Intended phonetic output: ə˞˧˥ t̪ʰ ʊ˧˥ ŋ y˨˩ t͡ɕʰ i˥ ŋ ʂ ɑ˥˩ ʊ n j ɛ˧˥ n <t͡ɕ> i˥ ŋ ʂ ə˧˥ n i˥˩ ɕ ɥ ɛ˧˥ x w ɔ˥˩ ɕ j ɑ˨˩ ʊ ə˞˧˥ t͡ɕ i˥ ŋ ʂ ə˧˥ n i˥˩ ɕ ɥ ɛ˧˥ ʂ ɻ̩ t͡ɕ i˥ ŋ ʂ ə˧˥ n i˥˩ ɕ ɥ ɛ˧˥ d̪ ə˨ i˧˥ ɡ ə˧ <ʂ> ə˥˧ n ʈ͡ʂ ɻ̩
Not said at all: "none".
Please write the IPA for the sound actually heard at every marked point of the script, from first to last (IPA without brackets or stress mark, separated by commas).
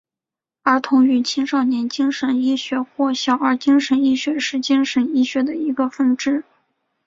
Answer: t͡ɕ, f